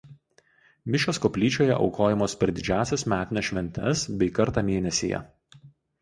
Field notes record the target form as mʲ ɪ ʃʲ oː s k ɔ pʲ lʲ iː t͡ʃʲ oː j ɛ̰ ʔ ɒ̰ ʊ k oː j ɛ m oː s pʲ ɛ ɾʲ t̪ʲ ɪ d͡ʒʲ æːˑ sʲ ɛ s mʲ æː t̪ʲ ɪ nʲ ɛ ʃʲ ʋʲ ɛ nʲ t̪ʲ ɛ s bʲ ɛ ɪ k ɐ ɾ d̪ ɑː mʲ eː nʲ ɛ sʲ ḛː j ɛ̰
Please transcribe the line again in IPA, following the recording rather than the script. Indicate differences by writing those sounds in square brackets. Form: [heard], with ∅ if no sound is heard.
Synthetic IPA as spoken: mʲ ɪ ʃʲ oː s k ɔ pʲ lʲ iː t͡ʃʲ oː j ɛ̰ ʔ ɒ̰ ʊ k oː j ɛ m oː s pʲ ɛ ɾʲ [d̪ʲ] ɪ d͡ʒʲ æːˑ sʲ ɛ s mʲ æː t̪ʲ ɪ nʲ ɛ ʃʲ ʋʲ ɛ nʲ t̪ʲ ɛ s bʲ ɛ ɪ k ɐ ɾ [t̪] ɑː mʲ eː nʲ ɛ sʲ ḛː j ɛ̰

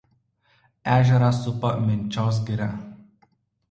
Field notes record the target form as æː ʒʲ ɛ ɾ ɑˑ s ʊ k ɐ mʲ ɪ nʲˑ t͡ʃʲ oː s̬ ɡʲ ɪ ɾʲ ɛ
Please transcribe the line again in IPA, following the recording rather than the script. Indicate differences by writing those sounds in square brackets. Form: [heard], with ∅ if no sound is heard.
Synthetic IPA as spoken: æː ʒʲ ɛ ɾ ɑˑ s ʊ [p] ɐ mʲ ɪ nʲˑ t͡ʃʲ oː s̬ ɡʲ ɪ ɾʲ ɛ

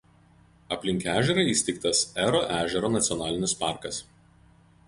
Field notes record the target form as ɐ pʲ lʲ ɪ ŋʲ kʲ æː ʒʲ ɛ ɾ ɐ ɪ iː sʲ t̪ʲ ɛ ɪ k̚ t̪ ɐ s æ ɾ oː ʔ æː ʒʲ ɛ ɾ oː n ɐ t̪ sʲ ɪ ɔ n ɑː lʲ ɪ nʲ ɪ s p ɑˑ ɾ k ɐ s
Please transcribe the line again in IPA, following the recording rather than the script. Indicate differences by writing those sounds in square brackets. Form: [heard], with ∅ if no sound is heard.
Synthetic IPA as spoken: ɐ pʲ lʲ ɪ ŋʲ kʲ æː ʒʲ ɛ ɾ ɐ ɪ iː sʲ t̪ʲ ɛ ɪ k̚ t̪ ɐ s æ ɾ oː ʔ æː ʒʲ ɛ ɾ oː n ɐ t̪ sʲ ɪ ɔ n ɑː lʲ ɪ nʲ ɪ s p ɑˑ ɾ k ɐ s

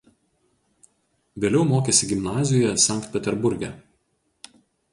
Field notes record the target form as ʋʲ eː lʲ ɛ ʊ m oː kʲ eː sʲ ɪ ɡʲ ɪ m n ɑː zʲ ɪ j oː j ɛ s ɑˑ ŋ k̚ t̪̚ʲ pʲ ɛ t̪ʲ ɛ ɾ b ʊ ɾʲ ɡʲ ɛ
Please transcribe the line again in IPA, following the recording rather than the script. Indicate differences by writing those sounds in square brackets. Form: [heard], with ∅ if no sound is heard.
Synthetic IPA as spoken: ʋʲ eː lʲ ɛ ʊ m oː kʲ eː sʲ ɪ ɡʲ ɪ m n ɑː zʲ ɪ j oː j ɛ s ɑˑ ŋ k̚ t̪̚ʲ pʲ ɛ t̪ʲ ɛ ɾ b ʊ ɾʲ ɡʲ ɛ

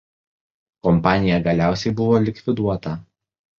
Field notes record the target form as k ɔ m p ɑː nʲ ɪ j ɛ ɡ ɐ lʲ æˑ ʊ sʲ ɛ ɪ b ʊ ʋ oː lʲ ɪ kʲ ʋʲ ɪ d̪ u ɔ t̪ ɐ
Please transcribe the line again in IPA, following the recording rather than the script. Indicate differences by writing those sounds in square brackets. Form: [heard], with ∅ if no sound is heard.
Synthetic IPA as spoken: k ɔ m p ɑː nʲ ɪ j ɛ ɡ ɐ lʲ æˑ ʊ sʲ ɛ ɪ b ʊ ʋ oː lʲ ɪ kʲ ʋʲ ɪ d̪ u ɔ t̪ ɐ

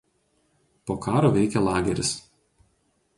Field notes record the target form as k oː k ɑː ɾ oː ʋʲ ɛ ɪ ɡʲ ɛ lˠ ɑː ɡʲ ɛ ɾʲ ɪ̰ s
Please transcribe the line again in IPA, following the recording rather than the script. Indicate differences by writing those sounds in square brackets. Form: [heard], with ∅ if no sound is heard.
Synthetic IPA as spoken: [p] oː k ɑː ɾ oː ʋʲ ɛ ɪ [kʲ] ɛ lˠ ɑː ɡʲ ɛ ɾʲ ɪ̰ s

